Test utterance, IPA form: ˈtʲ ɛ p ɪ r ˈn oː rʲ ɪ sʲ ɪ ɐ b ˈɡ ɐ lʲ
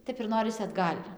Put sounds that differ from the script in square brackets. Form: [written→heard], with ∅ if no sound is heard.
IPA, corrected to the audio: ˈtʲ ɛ p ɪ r ˈn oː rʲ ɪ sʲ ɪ ɐ [b→d] ˈɡ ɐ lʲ